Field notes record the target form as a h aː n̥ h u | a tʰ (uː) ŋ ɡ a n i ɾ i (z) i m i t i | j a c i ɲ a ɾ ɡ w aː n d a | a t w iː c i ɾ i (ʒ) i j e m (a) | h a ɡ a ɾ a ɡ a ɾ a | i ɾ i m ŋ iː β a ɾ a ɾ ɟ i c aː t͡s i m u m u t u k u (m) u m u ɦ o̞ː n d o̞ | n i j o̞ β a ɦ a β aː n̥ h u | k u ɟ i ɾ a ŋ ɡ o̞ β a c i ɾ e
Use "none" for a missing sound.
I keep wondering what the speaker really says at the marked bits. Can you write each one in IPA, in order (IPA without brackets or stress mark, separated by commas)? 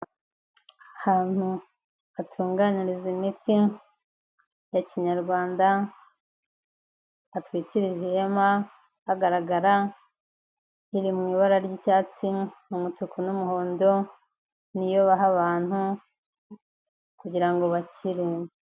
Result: uː, z, ʒ, a, n